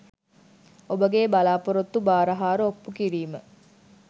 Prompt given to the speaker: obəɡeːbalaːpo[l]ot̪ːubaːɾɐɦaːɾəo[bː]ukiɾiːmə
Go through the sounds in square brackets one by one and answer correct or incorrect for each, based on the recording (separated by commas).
incorrect, incorrect